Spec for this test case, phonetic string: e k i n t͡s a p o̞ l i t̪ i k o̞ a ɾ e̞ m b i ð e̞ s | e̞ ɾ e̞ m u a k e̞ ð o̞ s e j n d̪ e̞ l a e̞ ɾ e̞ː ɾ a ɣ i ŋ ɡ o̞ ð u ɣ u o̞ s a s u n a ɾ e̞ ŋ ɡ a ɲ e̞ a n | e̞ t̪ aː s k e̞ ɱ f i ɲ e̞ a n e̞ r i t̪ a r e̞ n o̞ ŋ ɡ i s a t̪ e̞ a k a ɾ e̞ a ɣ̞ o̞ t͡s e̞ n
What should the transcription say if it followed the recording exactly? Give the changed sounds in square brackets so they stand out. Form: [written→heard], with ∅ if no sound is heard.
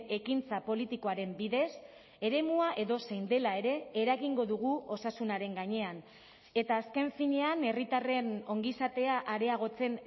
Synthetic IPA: e k i n t͡s a p o̞ l i t̪ i k o̞ a ɾ e̞ m b i ð e̞ s | e̞ ɾ e̞ m u a [k→ʔ] e̞ ð o̞ s e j n d̪ e̞ l a e̞ ɾ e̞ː ɾ a ɣ i ŋ ɡ o̞ ð u ɣ u o̞ s a s u n a ɾ e̞ ŋ ɡ a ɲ e̞ a n | e̞ t̪ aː s k e̞ ɱ f i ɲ e̞ a n e̞ r i t̪ a r e̞ n o̞ ŋ ɡ i s a t̪ e̞ a [k→ʔ] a ɾ e̞ a ɣ̞ o̞ t͡s e̞ n